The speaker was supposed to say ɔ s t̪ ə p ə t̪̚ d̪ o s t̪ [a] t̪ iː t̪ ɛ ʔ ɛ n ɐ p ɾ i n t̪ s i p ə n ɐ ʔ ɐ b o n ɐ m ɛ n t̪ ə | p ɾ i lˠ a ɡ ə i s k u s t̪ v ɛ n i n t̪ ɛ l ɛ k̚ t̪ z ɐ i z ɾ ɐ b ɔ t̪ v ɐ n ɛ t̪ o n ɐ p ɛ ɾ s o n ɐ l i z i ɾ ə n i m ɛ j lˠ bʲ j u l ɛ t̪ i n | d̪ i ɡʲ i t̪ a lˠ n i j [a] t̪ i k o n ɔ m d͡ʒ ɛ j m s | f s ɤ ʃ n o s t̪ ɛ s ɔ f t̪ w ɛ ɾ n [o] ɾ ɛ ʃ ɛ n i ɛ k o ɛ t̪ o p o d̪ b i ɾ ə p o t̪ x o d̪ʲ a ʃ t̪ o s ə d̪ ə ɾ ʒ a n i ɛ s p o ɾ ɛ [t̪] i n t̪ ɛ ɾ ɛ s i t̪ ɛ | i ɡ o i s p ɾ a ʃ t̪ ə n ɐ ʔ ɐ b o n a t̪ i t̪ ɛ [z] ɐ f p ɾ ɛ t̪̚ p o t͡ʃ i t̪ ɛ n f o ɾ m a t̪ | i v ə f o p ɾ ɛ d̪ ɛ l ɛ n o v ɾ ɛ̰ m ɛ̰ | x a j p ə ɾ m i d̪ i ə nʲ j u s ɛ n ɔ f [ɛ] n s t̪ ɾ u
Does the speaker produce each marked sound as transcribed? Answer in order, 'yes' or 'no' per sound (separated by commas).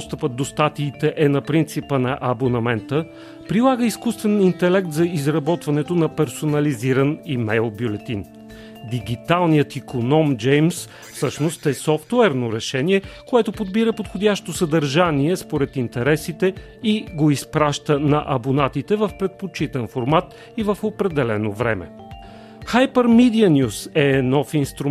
yes, no, yes, yes, no, no